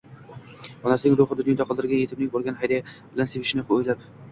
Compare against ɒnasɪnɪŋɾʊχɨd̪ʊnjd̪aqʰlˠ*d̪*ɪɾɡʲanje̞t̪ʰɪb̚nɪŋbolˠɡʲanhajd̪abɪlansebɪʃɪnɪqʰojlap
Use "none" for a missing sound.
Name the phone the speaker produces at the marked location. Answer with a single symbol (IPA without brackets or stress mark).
d̪